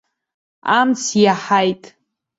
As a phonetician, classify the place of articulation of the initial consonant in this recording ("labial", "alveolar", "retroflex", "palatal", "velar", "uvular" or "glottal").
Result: labial